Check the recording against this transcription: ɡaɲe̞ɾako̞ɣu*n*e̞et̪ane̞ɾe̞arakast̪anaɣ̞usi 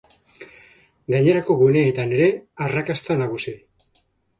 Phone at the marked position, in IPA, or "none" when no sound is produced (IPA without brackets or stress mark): n